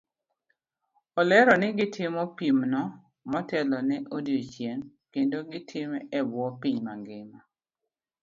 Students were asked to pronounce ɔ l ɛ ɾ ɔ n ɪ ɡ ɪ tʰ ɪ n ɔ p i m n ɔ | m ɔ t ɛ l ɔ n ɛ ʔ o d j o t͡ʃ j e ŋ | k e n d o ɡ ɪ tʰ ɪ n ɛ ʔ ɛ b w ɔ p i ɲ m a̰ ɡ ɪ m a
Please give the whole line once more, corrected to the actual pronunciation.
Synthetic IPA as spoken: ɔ l ɛ ɾ ɔ n ɪ ɡ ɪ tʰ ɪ m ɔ p i m n ɔ | m ɔ t ɛ l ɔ n ɛ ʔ o d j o t͡ʃ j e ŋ | k e n d o ɡ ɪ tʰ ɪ m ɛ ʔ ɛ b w ɔ p i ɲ m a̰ ɡ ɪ m a